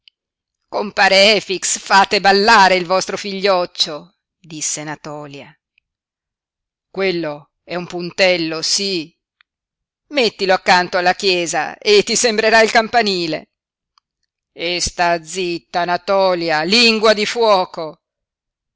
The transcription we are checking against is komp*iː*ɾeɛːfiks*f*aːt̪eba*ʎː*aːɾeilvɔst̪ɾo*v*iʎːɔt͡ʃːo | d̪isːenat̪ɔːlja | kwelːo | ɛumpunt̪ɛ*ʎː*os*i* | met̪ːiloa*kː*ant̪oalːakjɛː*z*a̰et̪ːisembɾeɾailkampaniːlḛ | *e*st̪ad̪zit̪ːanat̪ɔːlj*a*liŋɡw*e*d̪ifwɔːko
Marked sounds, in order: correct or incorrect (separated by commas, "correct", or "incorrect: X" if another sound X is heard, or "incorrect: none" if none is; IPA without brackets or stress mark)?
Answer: incorrect: aː, correct, incorrect: lː, incorrect: f, incorrect: lː, correct, correct, correct, correct, correct, incorrect: a